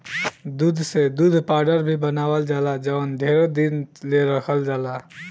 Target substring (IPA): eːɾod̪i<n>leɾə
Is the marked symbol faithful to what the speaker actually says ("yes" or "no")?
yes